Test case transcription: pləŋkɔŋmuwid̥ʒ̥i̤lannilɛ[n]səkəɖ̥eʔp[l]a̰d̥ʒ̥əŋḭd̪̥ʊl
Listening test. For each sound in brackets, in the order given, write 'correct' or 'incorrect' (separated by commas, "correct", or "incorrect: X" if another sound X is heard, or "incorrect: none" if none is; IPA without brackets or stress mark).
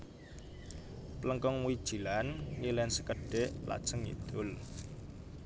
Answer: correct, correct